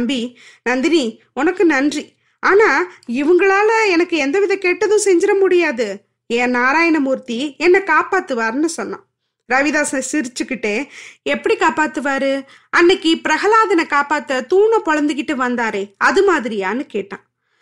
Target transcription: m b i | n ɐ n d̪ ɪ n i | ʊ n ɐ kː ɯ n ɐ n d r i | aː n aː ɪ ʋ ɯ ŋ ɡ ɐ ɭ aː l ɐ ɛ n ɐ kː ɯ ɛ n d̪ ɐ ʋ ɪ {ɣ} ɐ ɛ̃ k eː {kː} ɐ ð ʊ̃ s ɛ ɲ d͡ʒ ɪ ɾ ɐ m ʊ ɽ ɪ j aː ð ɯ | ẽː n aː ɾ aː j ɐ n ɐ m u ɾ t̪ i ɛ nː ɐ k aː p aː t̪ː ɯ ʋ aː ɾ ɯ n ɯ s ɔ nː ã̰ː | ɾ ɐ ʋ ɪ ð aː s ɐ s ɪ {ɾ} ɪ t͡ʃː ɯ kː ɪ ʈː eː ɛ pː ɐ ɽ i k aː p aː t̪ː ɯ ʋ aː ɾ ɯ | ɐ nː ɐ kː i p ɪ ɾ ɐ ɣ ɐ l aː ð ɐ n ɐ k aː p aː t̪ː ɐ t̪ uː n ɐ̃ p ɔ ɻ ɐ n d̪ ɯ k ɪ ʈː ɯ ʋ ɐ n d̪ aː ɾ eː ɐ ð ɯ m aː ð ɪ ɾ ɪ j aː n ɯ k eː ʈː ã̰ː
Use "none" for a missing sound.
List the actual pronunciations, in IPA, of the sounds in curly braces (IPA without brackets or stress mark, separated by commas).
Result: ð, ʈː, ɾ